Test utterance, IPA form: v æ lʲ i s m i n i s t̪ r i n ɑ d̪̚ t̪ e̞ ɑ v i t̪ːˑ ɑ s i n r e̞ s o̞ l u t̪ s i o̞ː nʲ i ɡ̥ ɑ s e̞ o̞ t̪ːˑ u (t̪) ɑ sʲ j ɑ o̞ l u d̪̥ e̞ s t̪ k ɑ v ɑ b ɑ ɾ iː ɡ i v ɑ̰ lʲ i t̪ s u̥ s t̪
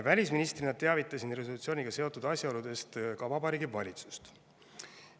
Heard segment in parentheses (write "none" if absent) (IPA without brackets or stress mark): d̪